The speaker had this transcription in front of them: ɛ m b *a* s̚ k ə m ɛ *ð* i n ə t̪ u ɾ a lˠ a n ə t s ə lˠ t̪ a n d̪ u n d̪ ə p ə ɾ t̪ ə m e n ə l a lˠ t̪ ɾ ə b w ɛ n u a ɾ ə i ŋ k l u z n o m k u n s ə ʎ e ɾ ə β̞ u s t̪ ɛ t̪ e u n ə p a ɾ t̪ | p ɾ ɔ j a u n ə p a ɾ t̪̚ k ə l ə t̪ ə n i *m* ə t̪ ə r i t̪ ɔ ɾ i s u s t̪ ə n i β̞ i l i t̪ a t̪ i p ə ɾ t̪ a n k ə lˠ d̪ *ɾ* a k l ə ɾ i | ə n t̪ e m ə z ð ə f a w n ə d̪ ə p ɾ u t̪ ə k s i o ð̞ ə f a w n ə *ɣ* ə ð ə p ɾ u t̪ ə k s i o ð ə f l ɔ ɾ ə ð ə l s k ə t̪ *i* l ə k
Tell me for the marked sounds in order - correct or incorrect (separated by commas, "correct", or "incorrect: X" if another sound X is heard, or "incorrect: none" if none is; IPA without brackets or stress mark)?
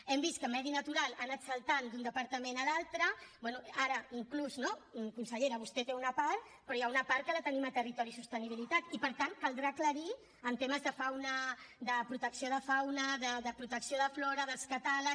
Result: incorrect: i, correct, correct, correct, incorrect: ð, incorrect: a